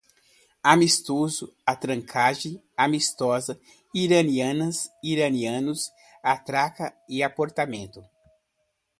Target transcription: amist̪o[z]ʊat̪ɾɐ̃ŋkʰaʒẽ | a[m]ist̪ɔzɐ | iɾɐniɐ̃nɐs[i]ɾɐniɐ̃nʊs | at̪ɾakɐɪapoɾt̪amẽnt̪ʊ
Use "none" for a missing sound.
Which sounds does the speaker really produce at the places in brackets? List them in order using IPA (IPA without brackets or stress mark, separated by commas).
z, m, i